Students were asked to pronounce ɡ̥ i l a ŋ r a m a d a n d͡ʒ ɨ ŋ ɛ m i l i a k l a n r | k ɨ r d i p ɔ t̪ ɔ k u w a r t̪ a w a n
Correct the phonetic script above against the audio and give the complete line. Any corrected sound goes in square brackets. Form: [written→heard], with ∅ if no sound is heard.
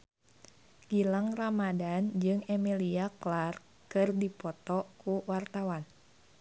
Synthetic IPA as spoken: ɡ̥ i l a ŋ r a m a d a n d͡ʒ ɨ ŋ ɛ m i l i a k l a [n→∅] r | k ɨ r d i p ɔ t̪ ɔ k u w a r t̪ a w a n